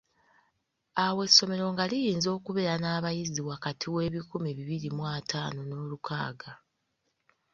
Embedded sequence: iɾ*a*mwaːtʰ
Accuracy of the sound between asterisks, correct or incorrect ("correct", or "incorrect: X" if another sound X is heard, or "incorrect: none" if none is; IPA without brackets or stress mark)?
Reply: incorrect: i